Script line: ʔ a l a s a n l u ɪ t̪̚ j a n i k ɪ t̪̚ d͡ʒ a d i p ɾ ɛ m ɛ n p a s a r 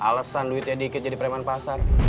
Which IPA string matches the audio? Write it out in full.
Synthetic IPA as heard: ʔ a l a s a n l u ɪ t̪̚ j a d i k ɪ t̪̚ d͡ʒ a d i p ɾ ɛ m a n p a s a r